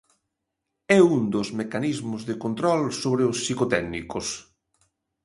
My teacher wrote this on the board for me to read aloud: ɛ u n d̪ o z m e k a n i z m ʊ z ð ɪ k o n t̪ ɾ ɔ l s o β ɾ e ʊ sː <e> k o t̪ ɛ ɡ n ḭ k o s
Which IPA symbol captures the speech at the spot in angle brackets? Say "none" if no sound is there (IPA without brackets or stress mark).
i